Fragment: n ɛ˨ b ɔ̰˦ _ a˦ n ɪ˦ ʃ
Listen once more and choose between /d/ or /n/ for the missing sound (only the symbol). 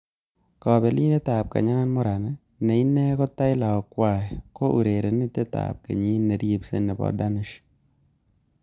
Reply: d